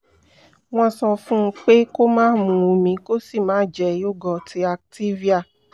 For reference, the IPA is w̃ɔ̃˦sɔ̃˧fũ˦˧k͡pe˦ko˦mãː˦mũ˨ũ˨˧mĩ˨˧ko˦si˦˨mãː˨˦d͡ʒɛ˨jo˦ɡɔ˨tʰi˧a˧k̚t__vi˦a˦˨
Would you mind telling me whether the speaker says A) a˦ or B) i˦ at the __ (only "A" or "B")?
B